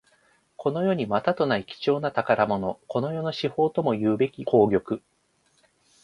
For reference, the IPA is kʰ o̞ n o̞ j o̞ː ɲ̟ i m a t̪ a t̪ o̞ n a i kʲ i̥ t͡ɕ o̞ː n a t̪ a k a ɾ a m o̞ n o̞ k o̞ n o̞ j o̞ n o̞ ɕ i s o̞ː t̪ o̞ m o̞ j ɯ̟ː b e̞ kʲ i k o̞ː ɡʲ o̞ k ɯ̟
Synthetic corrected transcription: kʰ o̞ n o̞ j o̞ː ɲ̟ i m a t̪ a t̪ o̞ n a i kʲ i̥ t͡ɕ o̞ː n a t̪ a k a ɾ a m o̞ n o̞ k o̞ n o̞ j o̞ n o̞ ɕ i h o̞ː t̪ o̞ m o̞ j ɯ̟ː b e̞ kʲ i k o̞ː ɡʲ o̞ k ɯ̟

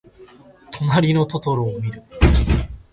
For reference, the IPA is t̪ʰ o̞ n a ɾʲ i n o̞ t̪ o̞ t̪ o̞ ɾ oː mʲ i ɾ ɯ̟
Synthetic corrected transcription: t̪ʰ o̞ n a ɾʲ i n o̞ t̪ o̞ t̪ o̞ ɾ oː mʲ i ɾ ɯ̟

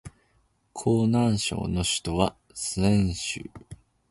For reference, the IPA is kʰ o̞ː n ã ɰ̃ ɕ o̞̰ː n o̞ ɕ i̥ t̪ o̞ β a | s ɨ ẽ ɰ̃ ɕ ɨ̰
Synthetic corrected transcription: kʰ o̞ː n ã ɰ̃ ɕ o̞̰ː n o̞ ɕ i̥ t̪ o̞ β a | s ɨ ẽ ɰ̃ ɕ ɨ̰

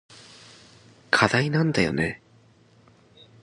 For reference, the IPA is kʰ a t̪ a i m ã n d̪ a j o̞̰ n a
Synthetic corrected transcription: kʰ a d̪ a i n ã n d̪ a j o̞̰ n e

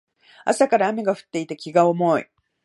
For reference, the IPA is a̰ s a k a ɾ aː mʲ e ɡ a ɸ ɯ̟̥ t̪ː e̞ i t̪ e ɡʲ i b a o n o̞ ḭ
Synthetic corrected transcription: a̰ s a k a ɾ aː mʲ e ɡ a ɸ ɯ̟̥ t̪ː e̞ i t̪ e kʲ i ɡ a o m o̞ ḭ

